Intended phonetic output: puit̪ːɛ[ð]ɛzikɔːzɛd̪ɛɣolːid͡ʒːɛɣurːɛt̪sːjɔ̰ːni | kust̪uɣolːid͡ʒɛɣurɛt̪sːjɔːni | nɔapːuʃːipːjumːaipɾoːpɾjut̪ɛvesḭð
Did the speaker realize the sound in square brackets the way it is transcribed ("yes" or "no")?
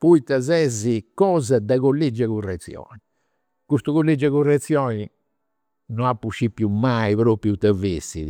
no